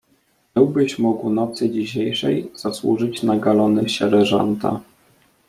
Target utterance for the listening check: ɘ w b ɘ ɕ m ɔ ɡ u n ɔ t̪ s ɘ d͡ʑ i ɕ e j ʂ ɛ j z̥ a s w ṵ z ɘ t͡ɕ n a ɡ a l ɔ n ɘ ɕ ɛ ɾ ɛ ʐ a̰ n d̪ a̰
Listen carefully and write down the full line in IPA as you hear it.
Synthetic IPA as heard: ɘ w b ɘ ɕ m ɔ ɡ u n ɔ t̪ s ɘ d͡ʑ i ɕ e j ʂ ɛ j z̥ a s w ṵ ʐ ɘ t͡ɕ n a ɡ a l ɔ n ɘ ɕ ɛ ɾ ɛ ʐ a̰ n t̪ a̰